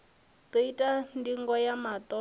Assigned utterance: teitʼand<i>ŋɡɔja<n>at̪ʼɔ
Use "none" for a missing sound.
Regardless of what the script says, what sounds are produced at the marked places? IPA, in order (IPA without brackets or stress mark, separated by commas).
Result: i, m